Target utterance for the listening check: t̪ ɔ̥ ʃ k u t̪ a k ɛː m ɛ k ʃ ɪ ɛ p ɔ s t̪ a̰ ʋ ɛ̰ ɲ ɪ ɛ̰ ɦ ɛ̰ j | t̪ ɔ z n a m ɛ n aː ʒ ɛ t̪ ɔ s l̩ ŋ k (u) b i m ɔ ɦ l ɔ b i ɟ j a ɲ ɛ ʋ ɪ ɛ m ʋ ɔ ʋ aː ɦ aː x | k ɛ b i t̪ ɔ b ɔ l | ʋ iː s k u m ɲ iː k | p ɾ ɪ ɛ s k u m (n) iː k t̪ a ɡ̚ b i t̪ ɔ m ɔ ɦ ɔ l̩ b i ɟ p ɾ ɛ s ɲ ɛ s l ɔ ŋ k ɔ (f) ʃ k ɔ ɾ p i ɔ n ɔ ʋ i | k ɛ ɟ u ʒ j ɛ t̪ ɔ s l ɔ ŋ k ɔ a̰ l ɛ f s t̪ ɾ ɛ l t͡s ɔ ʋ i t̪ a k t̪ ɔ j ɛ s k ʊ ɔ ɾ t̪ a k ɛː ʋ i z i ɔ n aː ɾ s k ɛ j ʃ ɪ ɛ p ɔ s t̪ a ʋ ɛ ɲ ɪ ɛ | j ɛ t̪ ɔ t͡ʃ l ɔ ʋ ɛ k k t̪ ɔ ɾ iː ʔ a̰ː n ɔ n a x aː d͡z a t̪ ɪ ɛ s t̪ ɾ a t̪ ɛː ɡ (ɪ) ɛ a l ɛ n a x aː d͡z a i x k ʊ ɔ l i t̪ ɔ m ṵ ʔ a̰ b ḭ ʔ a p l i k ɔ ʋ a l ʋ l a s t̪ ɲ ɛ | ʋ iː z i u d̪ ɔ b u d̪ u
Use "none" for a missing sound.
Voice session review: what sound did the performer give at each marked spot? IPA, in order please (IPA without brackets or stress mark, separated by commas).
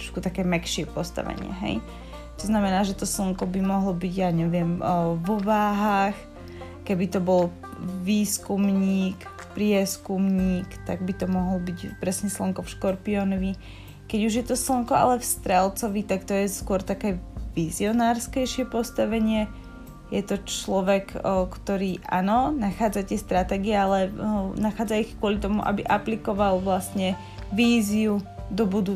ɔ, ɲ, f, i